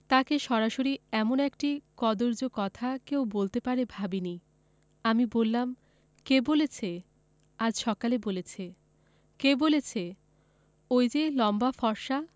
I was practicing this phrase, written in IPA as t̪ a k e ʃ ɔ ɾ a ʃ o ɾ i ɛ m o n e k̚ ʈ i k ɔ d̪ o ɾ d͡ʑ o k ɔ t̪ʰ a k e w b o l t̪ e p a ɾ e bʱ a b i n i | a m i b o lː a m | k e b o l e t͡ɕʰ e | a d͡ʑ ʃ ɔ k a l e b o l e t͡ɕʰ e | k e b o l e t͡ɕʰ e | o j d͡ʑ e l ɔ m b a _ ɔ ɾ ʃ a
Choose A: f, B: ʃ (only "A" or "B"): A